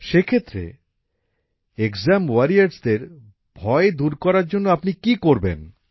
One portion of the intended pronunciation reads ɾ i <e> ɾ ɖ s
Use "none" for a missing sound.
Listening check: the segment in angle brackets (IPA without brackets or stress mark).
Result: a